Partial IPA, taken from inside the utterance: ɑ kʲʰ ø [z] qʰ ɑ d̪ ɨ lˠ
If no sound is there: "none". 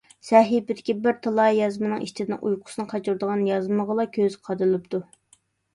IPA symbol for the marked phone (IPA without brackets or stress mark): z